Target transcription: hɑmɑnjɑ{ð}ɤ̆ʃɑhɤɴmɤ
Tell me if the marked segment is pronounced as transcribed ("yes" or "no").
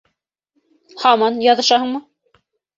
yes